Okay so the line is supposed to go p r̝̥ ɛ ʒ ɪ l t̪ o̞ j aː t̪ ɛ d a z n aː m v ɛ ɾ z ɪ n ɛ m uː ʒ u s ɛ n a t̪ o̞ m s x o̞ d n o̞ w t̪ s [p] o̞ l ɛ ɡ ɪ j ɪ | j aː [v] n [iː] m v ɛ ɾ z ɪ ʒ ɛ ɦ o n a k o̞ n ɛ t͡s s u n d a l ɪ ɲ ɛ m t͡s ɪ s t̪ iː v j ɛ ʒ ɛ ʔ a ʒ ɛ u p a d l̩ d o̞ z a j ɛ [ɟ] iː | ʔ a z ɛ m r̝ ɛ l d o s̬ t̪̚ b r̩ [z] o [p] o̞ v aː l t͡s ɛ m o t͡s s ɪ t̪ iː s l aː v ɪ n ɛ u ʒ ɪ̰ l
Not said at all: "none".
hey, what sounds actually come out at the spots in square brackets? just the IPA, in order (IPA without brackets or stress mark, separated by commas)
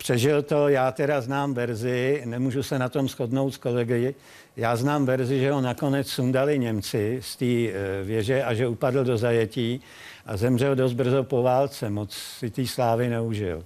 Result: k, z, aː, c, z, p